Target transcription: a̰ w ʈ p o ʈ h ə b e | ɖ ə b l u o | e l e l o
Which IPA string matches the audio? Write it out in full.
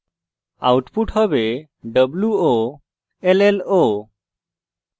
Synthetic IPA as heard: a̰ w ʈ p u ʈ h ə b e | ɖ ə b l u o | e l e l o